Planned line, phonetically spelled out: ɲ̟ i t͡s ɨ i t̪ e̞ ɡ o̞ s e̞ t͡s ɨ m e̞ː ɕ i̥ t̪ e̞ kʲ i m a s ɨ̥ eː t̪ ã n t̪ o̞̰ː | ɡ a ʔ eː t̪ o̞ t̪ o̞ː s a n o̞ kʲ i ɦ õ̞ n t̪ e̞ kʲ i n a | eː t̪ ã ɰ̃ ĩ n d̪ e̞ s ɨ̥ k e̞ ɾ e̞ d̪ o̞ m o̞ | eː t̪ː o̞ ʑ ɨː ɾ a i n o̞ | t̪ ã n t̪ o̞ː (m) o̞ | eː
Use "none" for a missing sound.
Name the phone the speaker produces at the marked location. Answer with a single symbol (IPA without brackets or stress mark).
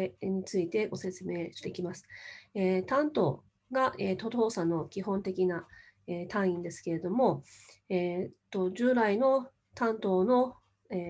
n